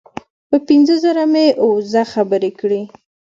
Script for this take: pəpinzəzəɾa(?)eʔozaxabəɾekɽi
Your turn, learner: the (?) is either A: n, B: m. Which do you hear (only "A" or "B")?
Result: B